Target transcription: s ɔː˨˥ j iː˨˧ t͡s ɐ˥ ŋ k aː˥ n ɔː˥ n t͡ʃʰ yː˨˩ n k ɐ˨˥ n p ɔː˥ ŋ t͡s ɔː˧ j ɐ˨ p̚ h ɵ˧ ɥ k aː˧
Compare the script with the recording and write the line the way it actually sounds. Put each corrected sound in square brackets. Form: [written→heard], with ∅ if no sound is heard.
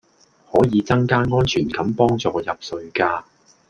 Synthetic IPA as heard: [s→h] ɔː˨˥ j iː˨˧ t͡s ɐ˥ ŋ k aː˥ [n→ŋ] ɔː˥ n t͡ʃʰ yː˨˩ n k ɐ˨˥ [n→m] p ɔː˥ ŋ t͡s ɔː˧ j ɐ˨ p̚ [h→s] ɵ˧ ɥ k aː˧